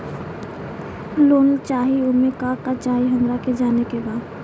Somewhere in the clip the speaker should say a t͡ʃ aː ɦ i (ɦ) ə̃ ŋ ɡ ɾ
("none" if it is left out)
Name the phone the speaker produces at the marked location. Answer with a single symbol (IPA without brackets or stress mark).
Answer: ɦ